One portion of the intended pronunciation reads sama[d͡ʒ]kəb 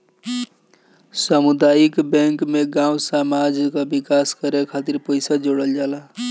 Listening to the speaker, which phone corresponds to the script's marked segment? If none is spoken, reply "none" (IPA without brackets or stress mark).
d͡ʒ